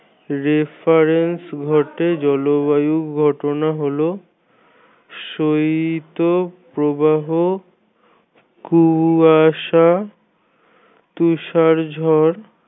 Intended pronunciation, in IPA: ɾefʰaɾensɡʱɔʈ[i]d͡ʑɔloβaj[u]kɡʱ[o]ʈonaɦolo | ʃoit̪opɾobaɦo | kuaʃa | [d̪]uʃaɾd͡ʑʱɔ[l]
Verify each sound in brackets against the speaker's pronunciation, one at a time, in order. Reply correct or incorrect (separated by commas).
incorrect, correct, incorrect, incorrect, incorrect